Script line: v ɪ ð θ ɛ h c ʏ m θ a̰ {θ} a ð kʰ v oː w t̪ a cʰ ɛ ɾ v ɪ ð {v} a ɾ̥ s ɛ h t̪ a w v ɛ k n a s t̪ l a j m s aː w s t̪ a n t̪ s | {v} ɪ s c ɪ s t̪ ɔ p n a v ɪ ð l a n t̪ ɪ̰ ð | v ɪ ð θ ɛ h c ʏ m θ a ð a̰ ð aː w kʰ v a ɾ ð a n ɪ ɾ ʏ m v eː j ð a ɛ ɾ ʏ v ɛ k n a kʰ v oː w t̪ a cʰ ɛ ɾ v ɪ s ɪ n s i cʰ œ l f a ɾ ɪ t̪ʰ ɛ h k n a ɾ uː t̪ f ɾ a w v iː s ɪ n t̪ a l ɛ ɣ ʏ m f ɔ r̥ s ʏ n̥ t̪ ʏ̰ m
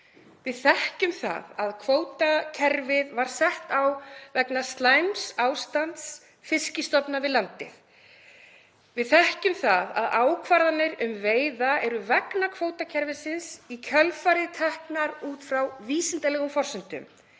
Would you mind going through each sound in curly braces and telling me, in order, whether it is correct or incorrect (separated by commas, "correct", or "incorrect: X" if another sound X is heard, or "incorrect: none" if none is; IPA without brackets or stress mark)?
incorrect: ð, correct, incorrect: f